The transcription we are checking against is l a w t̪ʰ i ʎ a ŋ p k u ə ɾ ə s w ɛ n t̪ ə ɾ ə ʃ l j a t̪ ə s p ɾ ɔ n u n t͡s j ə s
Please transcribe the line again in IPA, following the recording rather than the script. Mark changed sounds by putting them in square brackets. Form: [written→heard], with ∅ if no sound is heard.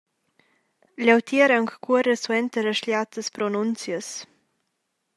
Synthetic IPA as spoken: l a w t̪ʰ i [ʎ→ɾ] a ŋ [p→k] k u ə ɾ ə s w ɛ n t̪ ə ɾ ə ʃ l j a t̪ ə s p ɾ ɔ n u n t͡s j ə s